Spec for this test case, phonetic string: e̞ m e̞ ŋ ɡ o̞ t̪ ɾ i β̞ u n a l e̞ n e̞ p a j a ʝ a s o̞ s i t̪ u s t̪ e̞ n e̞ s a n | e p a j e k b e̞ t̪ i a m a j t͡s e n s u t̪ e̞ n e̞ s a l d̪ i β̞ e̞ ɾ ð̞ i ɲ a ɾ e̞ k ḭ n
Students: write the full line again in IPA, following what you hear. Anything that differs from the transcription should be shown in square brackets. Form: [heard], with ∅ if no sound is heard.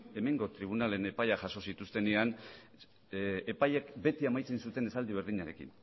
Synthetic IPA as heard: e̞ m e̞ ŋ ɡ o̞ t̪ ɾ i β̞ u n a l e̞ n e̞ p a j a ʝ a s o̞ s i t̪ u s t̪ e̞ n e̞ [∅] a n | e p a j e k b e̞ t̪ i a m a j t͡s e n s u t̪ e̞ n e̞ s a l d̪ i β̞ e̞ ɾ ð̞ i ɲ a ɾ e̞ k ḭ n